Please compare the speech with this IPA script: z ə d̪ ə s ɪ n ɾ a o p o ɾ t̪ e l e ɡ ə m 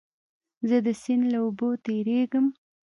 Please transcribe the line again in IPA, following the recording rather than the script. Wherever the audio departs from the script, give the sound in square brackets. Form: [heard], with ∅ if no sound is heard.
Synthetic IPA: z ə d̪ ə s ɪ n [l] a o [b] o [∅] t̪ e [ɾ] e ɡ ə m